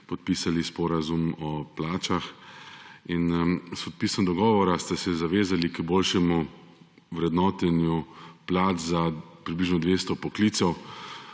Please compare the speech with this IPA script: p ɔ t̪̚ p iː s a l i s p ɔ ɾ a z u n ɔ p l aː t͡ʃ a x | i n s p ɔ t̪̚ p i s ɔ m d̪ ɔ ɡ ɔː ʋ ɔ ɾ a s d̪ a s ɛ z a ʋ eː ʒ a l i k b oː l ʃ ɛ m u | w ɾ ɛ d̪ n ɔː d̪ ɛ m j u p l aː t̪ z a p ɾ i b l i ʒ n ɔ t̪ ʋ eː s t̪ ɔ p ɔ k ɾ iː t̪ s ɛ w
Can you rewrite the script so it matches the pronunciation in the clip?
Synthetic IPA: p ɔ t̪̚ p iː s a l i s p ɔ ɾ a z u m ɔ p l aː t͡ʃ a x | i n s p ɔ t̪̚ p i s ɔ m d̪ ɔ ɡ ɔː ʋ ɔ ɾ a s t̪ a s ɛ z a ʋ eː z a l i k b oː l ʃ ɛ m u | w ɾ ɛ d̪ n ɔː t̪ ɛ n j u p l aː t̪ z a p ɾ i b l i ʒ n ɔ d̪ ʋ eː s t̪ ɔ p ɔ k l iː t̪ s ɛ w